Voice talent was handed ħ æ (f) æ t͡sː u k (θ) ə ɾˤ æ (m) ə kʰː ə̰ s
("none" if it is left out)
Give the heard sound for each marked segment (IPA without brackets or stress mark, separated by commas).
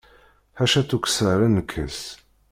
ʃ, s, n